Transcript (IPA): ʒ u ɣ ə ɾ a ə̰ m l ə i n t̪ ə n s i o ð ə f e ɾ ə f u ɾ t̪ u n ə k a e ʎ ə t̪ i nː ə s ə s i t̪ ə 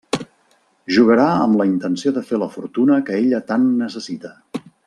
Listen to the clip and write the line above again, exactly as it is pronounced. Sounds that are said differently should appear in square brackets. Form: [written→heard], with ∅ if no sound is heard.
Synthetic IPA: ʒ u ɣ ə ɾ a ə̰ m l ə i n t̪ ə n s i o ð ə f e [ɾ→l] ə f u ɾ t̪ u n ə k [a→ə] e ʎ ə t̪ [i→a] nː ə s ə s i t̪ ə